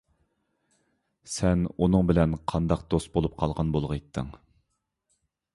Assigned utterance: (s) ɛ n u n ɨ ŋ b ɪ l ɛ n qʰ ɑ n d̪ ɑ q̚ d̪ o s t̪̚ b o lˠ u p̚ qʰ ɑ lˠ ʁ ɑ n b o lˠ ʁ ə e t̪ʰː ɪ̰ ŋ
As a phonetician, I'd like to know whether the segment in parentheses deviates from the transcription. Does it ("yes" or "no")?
no